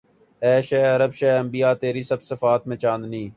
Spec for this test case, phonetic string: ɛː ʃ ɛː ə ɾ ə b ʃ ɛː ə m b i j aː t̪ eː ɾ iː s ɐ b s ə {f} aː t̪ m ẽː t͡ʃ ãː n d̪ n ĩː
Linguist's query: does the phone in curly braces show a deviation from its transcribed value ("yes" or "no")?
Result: no